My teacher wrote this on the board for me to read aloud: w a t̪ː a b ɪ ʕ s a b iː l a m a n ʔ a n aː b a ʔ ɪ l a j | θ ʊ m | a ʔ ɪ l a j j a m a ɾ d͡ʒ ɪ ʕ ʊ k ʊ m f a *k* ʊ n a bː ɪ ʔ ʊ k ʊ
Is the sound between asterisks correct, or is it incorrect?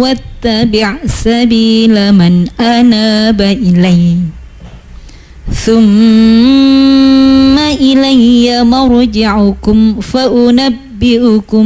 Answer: incorrect: ʔ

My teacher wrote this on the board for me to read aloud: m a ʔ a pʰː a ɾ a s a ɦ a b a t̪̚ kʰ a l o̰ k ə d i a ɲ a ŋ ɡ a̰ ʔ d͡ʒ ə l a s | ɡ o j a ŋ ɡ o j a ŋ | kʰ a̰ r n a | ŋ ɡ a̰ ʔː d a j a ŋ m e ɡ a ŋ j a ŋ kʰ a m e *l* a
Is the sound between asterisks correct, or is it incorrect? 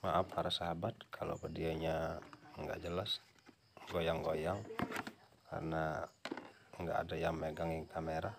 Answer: incorrect: ɾ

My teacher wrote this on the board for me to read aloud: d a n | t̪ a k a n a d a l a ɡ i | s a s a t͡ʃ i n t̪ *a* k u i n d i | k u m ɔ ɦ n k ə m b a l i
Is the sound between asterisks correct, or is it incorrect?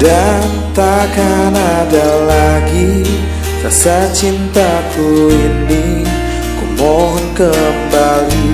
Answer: correct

